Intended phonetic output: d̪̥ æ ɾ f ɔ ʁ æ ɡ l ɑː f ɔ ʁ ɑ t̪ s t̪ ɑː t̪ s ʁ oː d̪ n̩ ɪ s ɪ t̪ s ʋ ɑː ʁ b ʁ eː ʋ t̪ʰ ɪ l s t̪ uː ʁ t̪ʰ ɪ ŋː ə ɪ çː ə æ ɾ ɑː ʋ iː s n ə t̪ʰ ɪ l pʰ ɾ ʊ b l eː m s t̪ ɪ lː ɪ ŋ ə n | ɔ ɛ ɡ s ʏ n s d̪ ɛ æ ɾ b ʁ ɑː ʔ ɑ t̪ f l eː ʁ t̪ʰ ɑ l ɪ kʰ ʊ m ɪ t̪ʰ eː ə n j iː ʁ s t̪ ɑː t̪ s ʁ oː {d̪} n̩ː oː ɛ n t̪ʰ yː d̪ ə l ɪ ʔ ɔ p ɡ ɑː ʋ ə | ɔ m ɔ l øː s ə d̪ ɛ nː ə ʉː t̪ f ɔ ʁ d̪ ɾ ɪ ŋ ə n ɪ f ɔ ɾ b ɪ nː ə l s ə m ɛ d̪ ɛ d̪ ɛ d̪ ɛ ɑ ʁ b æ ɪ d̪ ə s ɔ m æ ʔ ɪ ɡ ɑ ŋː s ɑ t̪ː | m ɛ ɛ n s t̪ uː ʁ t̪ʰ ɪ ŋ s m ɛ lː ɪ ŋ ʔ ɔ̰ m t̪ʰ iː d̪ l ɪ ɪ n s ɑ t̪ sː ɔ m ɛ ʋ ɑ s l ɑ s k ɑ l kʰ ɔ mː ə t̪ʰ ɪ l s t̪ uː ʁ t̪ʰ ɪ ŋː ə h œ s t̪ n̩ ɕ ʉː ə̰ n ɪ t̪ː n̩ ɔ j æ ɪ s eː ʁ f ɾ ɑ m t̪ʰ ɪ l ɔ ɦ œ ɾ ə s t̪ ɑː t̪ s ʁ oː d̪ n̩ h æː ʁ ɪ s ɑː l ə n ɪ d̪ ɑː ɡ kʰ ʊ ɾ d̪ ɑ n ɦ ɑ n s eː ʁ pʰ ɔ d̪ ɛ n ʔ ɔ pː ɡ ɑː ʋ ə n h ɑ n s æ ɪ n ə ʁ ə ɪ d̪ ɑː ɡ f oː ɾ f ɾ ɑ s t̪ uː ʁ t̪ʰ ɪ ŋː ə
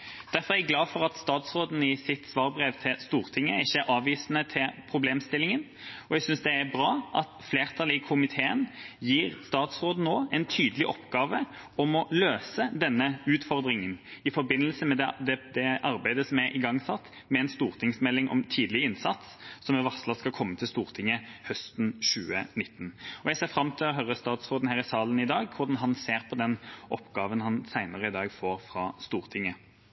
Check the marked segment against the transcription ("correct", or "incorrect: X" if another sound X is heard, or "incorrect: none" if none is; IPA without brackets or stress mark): correct